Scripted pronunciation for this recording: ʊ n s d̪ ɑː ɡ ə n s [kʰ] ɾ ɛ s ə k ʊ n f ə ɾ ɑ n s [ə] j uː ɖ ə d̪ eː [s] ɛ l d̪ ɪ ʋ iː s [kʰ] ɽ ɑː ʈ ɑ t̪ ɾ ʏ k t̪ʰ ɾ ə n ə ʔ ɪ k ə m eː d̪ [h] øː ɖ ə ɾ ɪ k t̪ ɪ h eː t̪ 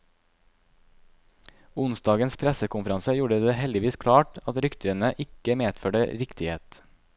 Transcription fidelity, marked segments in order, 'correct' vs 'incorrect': incorrect: pʰ, correct, incorrect: h, correct, incorrect: f

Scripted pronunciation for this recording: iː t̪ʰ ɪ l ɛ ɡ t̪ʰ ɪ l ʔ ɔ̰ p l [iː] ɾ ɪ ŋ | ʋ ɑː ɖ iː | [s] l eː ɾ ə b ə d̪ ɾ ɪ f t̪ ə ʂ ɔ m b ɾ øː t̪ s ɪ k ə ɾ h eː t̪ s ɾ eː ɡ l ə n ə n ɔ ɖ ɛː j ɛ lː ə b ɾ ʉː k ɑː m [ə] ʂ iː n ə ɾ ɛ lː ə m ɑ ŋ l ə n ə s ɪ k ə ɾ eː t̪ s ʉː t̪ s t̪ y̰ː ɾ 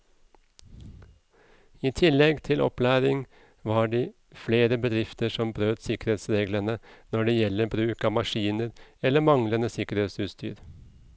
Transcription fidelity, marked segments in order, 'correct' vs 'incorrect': incorrect: æː, incorrect: f, incorrect: ɑ

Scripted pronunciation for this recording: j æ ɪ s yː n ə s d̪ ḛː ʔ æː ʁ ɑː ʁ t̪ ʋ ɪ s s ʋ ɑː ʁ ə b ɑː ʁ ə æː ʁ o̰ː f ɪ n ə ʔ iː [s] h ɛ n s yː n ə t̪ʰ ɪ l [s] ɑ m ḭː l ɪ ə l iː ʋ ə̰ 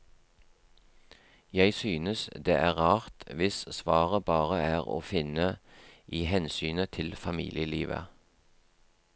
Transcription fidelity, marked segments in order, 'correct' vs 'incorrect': incorrect: none, incorrect: f

